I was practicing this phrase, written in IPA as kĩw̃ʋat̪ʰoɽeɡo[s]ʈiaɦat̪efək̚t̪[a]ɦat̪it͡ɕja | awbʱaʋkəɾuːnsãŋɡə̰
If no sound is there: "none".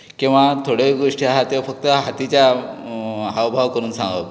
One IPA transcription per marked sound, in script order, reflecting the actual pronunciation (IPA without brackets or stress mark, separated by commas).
ʂ, ə